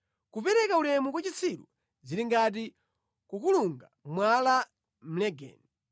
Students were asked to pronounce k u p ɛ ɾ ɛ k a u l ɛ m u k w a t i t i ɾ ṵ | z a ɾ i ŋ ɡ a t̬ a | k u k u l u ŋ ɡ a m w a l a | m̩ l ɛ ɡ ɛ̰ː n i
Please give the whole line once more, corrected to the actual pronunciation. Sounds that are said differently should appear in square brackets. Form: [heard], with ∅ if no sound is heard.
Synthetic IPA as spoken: k u p ɛ ɾ ɛ k a u l ɛ m u k w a [t͡ʃ] i [t͡sʰ] i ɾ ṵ | z [i] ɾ i ŋ ɡ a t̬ [i] | k u k u l u ŋ ɡ a m w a l a | m̩ l ɛ ɡ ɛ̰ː n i